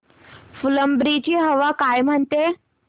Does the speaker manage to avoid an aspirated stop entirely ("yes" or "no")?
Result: yes